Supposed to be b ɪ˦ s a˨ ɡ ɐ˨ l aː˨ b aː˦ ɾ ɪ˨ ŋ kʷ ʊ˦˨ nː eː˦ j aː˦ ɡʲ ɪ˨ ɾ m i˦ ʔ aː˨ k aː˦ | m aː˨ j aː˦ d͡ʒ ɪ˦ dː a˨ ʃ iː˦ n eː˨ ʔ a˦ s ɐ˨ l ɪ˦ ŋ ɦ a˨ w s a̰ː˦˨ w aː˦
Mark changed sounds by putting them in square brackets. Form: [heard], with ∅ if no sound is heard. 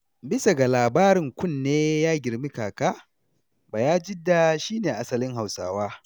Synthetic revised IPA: b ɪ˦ s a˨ ɡ [a˨] l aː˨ b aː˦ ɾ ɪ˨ ŋ kʷ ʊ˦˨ nː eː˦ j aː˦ ɡʲ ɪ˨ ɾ m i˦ [k] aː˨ k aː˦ | [b] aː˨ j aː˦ d͡ʒ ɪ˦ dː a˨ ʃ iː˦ n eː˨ ʔ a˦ s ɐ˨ l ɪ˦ ŋ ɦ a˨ w s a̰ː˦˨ w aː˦